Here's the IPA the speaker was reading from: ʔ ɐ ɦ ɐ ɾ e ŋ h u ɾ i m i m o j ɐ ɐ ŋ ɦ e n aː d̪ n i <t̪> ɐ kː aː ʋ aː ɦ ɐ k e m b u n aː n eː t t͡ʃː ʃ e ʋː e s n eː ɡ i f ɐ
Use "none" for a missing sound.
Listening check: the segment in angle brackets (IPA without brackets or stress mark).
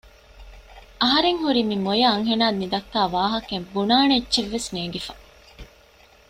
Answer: d̪